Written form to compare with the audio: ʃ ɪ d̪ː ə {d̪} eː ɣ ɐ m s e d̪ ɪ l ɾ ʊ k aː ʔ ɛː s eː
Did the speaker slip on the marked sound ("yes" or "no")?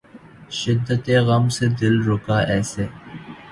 yes